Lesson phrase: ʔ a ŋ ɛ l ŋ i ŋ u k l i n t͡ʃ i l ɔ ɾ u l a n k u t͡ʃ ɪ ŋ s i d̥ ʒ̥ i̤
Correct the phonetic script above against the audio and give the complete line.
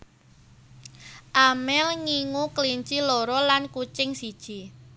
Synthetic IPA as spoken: ʔ a m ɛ l ŋ i ŋ u k l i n t͡ʃ i l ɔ ɾ ɔ l a n k u t͡ʃ ɪ ŋ s i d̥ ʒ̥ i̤